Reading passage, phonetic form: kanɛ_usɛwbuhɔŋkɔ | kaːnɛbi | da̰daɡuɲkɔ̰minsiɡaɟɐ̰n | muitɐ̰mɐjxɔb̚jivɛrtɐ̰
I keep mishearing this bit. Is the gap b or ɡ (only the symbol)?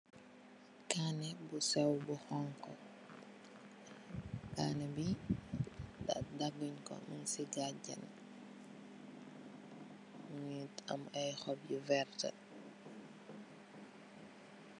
b